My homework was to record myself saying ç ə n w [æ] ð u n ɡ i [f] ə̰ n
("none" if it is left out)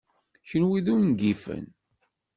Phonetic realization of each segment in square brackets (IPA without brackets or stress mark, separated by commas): i, f